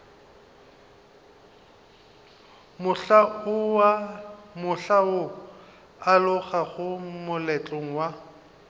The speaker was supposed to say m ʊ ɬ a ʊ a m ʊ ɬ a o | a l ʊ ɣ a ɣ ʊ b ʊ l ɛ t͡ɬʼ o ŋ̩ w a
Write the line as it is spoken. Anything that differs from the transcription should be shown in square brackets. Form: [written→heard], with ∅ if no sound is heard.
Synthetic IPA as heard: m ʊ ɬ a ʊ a m ʊ ɬ a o | a l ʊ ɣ a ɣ ʊ [b→m] ʊ l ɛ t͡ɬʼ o ŋ̩ w a